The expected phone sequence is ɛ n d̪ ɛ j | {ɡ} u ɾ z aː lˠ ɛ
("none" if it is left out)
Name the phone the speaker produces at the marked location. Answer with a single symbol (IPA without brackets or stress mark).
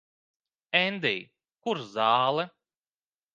k